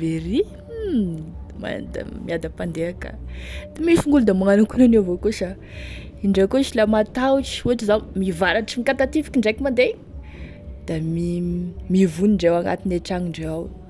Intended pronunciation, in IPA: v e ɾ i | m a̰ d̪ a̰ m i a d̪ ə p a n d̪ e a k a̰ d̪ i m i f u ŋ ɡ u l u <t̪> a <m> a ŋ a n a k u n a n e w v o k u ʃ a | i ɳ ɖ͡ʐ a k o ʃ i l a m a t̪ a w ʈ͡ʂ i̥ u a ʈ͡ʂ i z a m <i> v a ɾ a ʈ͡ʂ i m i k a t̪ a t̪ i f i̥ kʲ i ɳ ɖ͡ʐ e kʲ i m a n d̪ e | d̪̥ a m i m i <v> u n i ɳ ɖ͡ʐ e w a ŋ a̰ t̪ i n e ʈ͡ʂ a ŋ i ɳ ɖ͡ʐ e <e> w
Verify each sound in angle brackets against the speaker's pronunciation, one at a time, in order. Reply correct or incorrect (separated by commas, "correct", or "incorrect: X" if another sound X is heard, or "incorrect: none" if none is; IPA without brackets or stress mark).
incorrect: d̪, correct, correct, correct, incorrect: a